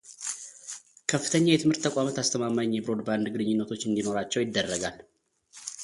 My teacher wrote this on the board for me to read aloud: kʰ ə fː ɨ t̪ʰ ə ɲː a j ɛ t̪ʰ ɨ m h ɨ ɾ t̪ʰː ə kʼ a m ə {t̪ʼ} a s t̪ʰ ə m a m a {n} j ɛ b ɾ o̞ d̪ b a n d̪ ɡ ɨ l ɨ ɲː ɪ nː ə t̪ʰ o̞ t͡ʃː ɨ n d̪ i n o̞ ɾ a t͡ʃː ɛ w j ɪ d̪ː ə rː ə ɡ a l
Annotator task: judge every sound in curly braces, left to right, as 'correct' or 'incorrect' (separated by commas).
incorrect, incorrect